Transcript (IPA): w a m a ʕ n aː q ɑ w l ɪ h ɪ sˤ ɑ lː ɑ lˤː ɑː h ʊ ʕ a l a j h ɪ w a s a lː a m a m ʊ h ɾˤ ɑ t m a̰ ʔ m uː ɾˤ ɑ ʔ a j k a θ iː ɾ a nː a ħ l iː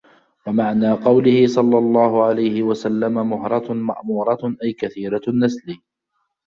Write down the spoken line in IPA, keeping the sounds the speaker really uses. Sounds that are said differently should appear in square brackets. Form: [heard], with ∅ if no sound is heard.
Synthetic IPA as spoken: w a m a ʕ n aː q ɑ w l ɪ h ɪ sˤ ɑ lː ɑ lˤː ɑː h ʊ ʕ a l a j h ɪ w a s a lː a m a m ʊ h ɾˤ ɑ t m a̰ ʔ m uː ɾˤ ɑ ʔ a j k a θ iː ɾ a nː a [s] l iː